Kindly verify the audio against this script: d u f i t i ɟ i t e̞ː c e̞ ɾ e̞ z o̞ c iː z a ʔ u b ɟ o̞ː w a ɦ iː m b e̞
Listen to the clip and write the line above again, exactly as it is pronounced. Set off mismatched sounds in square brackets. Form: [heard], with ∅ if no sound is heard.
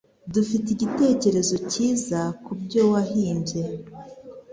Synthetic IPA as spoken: d u f i t i ɟ i t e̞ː c e̞ ɾ e̞ z o̞ c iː z a [k] u b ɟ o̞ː w a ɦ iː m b e̞